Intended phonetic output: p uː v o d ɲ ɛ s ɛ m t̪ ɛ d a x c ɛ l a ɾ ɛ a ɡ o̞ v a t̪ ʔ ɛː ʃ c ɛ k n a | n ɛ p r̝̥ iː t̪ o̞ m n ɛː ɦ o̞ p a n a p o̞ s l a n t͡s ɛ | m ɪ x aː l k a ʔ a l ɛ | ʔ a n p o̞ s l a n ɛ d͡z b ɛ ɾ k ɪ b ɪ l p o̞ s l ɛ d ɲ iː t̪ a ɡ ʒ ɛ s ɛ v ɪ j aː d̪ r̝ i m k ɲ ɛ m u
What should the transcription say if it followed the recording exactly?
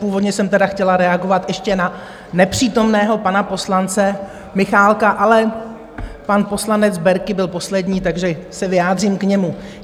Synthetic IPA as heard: p uː v o d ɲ ɛ s ɛ m t̪ ɛ d a x c ɛ l a ɾ ɛ a ɡ o̞ v a t̪ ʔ ɛ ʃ c ɛ n a | n ɛ p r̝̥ iː t̪ o̞ m n ɛː ɦ o̞ p a n a p o̞ s l a n t͡s ɛ | m ɪ x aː l k a ʔ a l ɛ | p a n p o̞ s l a n ɛ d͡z b ɛ ɾ k ɪ b ɪ l p o̞ s l ɛ d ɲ iː t̪ a ɡ ʒ ɛ s ɛ v ɪ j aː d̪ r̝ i m k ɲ ɛ m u